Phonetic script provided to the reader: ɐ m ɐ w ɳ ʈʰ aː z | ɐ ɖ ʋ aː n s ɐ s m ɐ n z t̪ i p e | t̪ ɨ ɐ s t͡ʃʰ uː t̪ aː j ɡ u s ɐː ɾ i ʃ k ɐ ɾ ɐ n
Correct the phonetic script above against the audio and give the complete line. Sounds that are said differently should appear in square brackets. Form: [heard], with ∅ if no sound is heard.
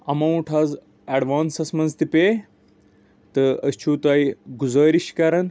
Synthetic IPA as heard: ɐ m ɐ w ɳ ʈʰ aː z | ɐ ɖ ʋ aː n s ɐ s m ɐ n z t̪ i p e | t̪ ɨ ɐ s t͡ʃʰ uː t̪ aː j ɡ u [z] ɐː ɾ i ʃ k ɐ ɾ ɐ n